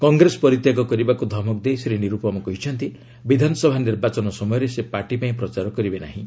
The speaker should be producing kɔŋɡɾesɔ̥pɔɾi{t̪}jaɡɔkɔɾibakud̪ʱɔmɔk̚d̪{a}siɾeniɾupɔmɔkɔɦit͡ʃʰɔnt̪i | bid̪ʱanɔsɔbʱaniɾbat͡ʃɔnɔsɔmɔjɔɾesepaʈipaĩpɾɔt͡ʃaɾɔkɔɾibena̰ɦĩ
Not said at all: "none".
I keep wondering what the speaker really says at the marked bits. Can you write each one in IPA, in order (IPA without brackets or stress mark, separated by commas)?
t̪, e